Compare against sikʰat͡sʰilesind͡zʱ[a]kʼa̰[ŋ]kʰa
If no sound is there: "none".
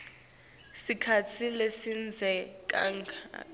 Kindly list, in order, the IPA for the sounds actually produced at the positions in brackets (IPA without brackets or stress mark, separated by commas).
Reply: ɛ, ŋ